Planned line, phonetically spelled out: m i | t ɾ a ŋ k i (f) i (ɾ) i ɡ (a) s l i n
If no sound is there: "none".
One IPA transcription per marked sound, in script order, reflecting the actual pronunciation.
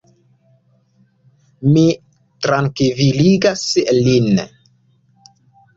v, l, a

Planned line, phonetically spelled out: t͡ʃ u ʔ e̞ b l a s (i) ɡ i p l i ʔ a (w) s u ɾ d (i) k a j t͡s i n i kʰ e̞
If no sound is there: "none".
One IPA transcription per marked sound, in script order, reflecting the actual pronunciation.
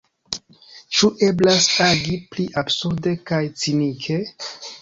a, b, e

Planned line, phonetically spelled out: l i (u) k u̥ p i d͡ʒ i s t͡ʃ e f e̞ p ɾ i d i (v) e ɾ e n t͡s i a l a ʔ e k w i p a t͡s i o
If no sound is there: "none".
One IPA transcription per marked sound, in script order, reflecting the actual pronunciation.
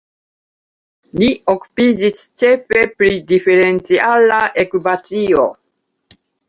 o, f

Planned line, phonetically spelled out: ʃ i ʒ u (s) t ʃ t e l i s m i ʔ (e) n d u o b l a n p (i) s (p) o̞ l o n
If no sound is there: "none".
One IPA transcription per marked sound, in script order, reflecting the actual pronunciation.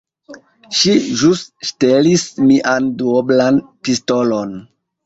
s, a, i, t

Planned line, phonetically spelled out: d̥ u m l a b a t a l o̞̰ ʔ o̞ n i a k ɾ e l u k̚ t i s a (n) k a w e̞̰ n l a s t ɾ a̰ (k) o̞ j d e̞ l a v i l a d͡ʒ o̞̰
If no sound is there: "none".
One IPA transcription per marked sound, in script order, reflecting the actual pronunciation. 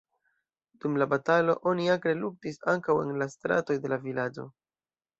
ŋ, t

